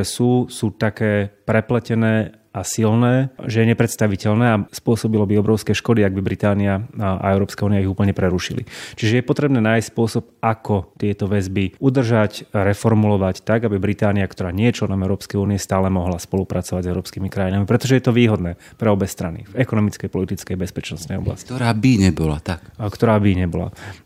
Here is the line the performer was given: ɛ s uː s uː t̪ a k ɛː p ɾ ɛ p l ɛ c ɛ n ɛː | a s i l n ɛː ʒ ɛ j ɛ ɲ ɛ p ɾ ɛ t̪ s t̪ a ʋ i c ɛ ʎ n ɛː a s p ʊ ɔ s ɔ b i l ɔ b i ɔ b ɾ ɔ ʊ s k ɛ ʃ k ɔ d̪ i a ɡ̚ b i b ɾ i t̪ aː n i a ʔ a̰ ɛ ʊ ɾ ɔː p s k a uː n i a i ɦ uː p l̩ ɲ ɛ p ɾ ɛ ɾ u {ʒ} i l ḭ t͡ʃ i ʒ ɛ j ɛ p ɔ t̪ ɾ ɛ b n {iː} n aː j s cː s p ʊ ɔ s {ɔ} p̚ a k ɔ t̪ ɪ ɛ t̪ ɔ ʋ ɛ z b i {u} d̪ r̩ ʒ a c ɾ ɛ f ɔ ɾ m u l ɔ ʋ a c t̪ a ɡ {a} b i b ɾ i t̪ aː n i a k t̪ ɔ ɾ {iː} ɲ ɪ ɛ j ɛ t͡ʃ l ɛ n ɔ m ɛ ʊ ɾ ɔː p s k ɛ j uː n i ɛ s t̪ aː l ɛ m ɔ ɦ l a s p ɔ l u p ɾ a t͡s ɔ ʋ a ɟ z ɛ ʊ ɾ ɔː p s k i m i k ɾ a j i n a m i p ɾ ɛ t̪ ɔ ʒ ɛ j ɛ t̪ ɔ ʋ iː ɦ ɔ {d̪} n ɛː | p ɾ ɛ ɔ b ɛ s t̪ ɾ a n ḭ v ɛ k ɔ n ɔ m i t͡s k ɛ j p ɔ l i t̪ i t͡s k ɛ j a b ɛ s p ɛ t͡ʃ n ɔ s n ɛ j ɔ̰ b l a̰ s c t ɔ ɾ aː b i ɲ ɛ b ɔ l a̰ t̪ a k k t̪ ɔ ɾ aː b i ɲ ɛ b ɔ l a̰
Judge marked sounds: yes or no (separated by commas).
no, no, yes, yes, yes, no, yes